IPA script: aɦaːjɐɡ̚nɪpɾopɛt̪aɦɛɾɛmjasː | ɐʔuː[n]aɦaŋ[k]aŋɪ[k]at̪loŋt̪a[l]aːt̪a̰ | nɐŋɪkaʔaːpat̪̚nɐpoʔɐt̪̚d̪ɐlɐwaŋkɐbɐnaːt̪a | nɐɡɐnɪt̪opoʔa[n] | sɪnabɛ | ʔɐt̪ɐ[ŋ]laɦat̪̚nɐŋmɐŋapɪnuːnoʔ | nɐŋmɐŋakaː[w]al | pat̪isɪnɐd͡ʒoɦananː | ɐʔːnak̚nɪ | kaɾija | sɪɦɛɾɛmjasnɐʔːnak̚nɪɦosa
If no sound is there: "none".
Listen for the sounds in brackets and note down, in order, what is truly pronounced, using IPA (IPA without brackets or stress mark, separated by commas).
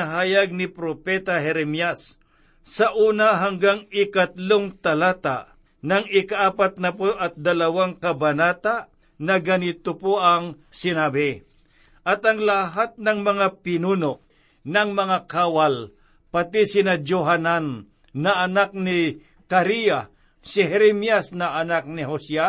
n, ɡ, k, l, ŋ, ŋ, w